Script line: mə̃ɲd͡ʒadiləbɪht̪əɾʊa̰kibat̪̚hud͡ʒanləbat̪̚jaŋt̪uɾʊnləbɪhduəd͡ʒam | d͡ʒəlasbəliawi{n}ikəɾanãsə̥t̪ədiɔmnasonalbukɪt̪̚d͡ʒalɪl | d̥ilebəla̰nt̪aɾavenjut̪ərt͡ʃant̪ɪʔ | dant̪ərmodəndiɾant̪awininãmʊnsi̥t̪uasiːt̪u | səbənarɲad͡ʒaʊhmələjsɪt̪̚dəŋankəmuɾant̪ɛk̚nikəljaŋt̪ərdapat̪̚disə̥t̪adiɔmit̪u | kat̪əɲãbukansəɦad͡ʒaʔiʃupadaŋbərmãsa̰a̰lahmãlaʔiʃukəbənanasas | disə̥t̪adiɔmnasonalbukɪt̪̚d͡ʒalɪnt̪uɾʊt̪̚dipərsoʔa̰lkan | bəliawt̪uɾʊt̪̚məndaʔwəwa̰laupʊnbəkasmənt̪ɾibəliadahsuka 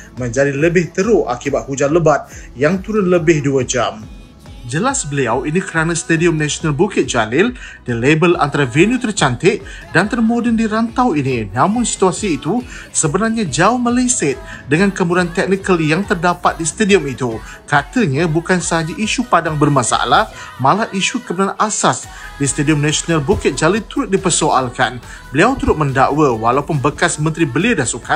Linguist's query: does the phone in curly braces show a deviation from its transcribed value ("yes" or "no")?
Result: no